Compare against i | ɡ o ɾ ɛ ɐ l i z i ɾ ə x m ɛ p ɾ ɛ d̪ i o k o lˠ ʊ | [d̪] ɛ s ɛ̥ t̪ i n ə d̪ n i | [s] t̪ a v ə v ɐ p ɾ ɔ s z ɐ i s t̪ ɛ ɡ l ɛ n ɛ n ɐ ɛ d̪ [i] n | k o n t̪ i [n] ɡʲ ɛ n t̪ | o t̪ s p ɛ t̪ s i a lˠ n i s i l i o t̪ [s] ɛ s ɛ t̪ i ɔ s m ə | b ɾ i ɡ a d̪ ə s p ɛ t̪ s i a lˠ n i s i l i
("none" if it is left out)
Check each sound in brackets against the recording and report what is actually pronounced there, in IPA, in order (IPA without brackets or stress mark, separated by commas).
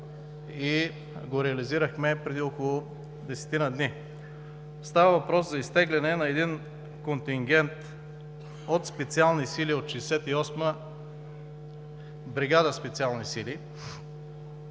d̪, s, i, ŋ, ʃ